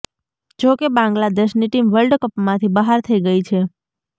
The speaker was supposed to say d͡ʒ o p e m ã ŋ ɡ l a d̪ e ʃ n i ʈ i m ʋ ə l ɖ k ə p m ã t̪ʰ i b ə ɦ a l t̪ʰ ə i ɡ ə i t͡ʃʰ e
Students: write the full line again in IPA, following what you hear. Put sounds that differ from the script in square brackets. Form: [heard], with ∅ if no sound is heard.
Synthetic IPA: d͡ʒ o [k] e [b] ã ŋ ɡ l a d̪ e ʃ n i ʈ i m ʋ ə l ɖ k ə p m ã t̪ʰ i b ə ɦ a [ɾ] t̪ʰ ə i ɡ ə i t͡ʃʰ e

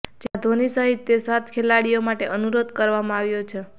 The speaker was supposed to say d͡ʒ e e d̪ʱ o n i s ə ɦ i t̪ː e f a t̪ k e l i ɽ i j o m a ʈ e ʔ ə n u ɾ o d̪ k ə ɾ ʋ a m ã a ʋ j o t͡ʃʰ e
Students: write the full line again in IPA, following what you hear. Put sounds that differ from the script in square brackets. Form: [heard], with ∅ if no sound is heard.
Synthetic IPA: d͡ʒ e [a] d̪ʱ o n i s ə ɦ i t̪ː e [s] a t̪ [kʰ] e l [a] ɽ i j o m a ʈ e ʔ ə n u ɾ o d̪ k ə ɾ ʋ a m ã a ʋ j o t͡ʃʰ e

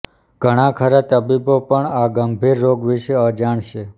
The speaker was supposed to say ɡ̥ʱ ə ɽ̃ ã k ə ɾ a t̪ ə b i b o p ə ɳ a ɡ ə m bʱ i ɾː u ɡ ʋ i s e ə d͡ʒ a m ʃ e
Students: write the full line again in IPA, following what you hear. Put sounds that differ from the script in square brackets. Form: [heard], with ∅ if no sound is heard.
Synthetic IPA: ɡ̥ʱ ə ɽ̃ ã [kʰ] ə ɾ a t̪ ə b i b o p ə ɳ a ɡ ə m bʱ i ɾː [o] ɡ ʋ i [ʃ] e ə d͡ʒ a [ɳ] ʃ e

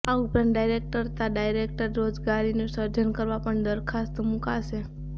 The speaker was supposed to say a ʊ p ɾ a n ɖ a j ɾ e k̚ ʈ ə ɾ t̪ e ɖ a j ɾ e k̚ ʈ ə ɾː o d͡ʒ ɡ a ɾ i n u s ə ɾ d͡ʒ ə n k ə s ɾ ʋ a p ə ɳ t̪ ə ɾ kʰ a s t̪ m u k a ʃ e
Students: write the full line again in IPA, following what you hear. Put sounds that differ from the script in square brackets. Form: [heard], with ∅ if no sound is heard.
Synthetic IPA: a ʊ p ɾ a n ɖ a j ɾ e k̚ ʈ ə ɾ t̪ [a] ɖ a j ɾ e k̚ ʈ ə ɾː o d͡ʒ ɡ a ɾ i n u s ə ɾ d͡ʒ ə n k ə [∅] ɾ ʋ a p ə ɳ [d̪] ə ɾ kʰ a s t̪ m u k a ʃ e

